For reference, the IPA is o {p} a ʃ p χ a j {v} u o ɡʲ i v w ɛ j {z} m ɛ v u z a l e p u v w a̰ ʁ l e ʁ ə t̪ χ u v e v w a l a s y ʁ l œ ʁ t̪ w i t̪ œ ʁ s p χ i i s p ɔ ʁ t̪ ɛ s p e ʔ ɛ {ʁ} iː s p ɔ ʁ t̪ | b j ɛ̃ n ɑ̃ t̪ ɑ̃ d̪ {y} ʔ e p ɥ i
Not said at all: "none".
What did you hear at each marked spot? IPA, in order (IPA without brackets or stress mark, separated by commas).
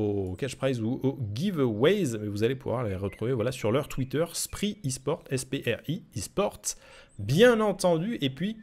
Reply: k, z, z, ʁ, y